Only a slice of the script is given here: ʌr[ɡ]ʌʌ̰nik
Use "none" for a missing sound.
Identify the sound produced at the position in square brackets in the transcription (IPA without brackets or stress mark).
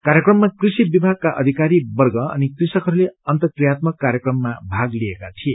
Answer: ɡ